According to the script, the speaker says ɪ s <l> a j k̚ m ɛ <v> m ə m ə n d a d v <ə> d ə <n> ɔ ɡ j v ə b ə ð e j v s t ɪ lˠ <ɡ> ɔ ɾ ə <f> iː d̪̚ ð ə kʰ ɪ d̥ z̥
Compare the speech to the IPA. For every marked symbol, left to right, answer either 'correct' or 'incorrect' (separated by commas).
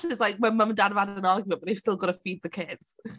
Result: correct, incorrect, incorrect, correct, correct, correct